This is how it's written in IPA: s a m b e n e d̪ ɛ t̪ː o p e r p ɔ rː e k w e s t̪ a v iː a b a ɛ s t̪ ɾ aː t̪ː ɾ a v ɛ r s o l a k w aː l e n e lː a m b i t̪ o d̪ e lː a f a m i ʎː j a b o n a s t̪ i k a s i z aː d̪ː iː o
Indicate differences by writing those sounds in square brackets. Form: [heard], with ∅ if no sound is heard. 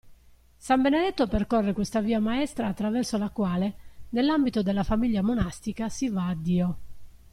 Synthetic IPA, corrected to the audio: s a m b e n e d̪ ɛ t̪ː o p e r [k] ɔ rː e k w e s t̪ a v iː a [m] a ɛ s t̪ ɾ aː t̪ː ɾ a v ɛ r s o l a k w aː l e n e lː a m b i t̪ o d̪ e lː a f a m i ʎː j a [m] o n a s t̪ i k a s i [v] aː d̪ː iː o